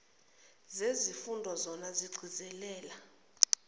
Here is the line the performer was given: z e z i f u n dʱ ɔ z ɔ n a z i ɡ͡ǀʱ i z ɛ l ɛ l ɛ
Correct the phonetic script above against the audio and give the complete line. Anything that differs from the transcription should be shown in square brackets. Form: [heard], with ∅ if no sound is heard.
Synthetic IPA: z e z i f u n dʱ ɔ z ɔ n a z i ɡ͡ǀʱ i z ɛ l [ɛː] l [a]